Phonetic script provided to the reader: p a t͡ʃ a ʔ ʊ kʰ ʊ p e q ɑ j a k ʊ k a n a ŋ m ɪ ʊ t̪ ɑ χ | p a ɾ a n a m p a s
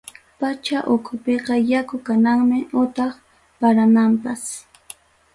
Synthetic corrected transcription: p a t͡ʃ a ʔ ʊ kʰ ʊ p e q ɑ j a k ʊ k a n a ŋ m ɪ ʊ t̪ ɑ χ | p a ɾ a n a m p a s